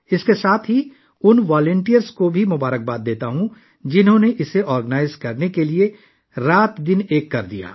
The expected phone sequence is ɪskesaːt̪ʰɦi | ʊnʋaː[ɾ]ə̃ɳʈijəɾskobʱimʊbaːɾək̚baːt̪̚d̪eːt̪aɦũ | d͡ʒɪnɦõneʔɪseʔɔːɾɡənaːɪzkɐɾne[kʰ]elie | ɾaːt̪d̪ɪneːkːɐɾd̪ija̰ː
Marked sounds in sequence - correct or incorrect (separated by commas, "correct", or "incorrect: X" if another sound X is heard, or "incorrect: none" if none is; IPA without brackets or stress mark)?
incorrect: l, incorrect: k